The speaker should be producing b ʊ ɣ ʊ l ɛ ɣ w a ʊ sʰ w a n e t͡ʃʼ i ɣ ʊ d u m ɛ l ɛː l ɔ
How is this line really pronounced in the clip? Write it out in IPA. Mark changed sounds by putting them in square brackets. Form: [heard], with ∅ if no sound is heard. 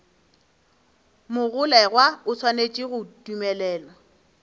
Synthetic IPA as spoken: [m] ʊ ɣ ʊ l ɛ ɣ w a ʊ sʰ w a n e t͡ʃʼ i ɣ ʊ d u m ɛ l ɛː l ɔ